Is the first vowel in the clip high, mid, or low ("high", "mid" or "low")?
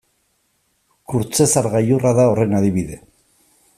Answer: high